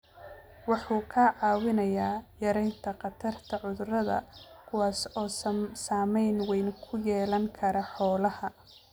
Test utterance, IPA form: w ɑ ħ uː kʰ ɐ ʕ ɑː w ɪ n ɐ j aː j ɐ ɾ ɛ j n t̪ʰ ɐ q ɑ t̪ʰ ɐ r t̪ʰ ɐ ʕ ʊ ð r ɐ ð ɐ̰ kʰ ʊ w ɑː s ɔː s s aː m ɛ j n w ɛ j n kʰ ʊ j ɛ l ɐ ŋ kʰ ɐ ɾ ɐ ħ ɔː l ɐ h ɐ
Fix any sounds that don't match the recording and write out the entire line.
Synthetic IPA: w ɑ ħ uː kʰ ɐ ʕ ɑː w ɪ n ɐ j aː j ɐ ɾ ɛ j n t̪ʰ ɐ q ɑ t̪ʰ ɐ r t̪ʰ ɐ ʕ ʊ ð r ɐ ð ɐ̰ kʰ ʊ w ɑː s ɔː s s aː m ɛ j n w ɛ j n kʰ ʊ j ɛː l ɐ ŋ kʰ ɐ ɾ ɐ ħ ɔː l ɐ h ɐ